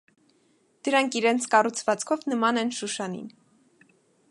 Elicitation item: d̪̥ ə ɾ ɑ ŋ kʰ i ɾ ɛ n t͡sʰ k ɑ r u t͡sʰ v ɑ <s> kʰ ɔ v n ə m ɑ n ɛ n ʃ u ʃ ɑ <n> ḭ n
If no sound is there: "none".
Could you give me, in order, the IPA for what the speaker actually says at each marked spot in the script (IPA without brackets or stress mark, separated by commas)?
t͡s, n